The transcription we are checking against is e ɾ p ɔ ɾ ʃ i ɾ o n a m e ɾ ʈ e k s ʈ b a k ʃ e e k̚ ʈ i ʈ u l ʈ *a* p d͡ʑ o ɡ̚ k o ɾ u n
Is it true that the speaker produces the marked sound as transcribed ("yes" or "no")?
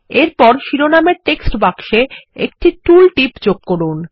no